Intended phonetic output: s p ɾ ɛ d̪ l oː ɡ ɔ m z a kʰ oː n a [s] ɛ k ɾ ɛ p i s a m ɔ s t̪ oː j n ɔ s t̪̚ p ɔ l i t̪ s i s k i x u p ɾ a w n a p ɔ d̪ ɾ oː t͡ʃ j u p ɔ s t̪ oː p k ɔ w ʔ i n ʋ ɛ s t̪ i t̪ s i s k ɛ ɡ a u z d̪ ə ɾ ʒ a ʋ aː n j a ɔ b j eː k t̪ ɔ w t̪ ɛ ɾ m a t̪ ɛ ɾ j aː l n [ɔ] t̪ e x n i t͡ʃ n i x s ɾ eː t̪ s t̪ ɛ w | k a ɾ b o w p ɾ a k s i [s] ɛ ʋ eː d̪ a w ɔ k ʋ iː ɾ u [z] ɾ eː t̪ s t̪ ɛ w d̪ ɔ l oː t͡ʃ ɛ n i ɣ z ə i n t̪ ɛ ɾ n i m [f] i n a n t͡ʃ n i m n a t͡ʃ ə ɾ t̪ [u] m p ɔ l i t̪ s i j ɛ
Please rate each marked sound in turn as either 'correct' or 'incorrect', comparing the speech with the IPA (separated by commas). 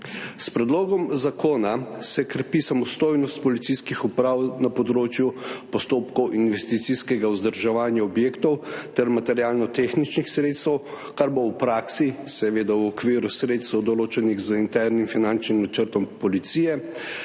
correct, correct, correct, incorrect, correct, incorrect